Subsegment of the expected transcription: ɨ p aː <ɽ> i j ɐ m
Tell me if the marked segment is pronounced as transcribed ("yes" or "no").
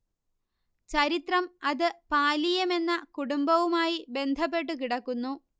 no